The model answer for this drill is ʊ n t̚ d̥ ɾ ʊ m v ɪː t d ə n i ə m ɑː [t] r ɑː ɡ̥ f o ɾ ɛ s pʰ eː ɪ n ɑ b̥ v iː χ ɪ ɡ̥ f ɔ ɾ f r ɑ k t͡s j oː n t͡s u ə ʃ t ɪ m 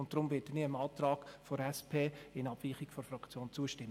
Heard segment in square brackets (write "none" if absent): t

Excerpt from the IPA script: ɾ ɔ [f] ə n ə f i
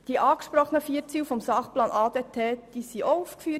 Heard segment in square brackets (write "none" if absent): χ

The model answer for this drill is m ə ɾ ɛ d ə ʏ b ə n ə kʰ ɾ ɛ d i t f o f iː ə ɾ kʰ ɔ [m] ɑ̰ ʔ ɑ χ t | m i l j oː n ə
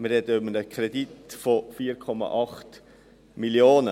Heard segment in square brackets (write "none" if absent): m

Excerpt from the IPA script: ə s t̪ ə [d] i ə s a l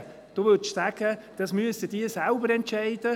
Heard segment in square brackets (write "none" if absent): d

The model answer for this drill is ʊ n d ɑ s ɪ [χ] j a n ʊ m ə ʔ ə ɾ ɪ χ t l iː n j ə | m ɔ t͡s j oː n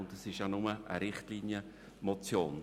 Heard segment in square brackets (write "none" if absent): ʃ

